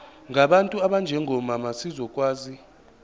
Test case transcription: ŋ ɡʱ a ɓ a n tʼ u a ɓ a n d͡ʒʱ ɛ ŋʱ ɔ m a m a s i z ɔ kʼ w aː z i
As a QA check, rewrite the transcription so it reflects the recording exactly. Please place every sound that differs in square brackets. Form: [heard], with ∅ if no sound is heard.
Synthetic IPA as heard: ŋ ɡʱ a ɓ a n tʼ u a ɓ a n d͡ʒʱ ɛ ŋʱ ɔ m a m a s i z ɔ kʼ w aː z i